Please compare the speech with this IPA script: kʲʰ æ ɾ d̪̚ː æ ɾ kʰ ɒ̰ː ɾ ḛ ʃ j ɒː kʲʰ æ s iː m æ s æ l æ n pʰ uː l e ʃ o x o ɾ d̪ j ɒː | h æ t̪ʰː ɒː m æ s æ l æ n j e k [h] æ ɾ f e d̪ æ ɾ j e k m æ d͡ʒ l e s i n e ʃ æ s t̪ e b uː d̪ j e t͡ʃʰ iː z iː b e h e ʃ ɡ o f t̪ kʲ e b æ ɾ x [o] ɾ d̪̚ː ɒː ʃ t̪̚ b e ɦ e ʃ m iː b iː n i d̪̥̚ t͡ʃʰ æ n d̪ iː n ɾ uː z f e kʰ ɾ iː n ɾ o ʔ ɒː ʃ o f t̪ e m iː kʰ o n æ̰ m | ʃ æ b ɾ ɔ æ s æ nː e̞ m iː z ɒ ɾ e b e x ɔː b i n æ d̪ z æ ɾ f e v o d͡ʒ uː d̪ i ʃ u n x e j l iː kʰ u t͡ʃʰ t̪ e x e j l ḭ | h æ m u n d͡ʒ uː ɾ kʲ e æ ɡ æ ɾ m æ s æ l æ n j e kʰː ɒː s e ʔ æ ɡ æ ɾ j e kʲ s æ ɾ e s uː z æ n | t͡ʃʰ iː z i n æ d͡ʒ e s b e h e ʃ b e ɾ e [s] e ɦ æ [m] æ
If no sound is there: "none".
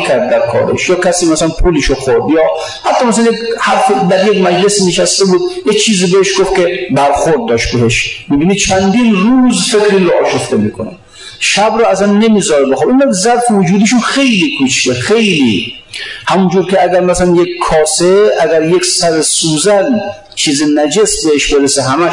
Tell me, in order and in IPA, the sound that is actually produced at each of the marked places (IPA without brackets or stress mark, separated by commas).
h, o, s, m